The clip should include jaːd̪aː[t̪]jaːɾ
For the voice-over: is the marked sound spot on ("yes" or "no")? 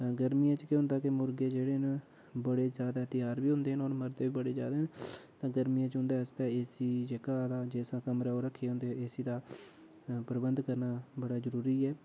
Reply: yes